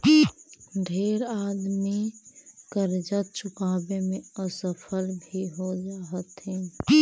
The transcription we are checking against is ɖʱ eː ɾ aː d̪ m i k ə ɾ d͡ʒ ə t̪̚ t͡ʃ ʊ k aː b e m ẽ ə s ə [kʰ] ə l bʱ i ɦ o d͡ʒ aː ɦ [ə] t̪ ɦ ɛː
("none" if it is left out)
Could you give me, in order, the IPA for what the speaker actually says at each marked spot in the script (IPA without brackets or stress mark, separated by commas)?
pʰ, ə